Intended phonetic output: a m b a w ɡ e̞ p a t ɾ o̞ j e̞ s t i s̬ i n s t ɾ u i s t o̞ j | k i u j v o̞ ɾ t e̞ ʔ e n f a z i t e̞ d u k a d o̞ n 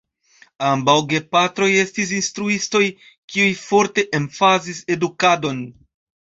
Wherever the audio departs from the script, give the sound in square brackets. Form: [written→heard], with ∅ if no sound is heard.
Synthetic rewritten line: a m b a w ɡ e̞ p a t ɾ o̞ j e̞ s t i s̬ i n s t ɾ u i s t o̞ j | k i u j [v→f] o̞ ɾ t e̞ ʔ e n f a z i [t→s] e̞ d u k a d o̞ n